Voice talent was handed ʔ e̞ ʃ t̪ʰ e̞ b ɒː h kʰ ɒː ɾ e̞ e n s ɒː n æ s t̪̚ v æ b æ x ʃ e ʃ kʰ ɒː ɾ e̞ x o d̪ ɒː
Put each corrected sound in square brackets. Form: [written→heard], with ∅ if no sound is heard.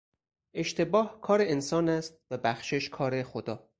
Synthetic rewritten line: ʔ e̞ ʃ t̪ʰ e̞ b ɒː h kʰ ɒː ɾ e̞ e n s ɒː n æ s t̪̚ v æ b æ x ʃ e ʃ kʰ ɒː ɾ e̞ x o d̪ ɒː